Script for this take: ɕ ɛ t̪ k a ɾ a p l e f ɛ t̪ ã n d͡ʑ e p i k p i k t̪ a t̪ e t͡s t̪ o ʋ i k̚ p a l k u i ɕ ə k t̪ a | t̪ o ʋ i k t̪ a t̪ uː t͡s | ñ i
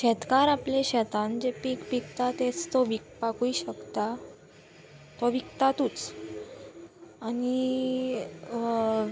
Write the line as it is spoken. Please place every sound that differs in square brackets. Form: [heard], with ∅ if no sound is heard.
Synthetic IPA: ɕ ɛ t̪ k a ɾ a p l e [ɕ] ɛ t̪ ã n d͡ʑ e p i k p i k t̪ a t̪ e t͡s t̪ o ʋ i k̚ p a [∅] k u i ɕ ə k t̪ a | t̪ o ʋ i k t̪ a t̪ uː t͡s | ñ i